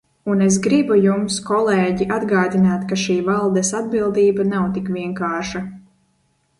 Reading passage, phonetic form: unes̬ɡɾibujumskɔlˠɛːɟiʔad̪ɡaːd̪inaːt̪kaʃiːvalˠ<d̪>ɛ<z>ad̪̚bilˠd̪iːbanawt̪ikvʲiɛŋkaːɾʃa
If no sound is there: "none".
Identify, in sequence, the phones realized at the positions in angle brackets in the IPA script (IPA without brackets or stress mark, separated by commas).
d̪, s